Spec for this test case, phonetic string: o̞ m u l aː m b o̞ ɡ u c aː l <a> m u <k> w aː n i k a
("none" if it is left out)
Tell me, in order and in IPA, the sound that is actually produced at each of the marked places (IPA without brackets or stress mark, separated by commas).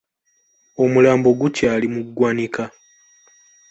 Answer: i, ɡ